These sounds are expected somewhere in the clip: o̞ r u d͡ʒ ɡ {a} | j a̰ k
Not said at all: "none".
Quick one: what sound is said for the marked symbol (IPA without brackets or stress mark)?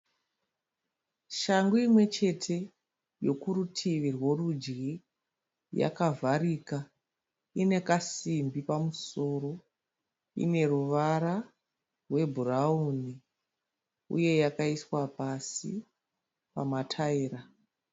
i